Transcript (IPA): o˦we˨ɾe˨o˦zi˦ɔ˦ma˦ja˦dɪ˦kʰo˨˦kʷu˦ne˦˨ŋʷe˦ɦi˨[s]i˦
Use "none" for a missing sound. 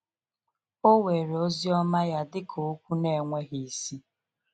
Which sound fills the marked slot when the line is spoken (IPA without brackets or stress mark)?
s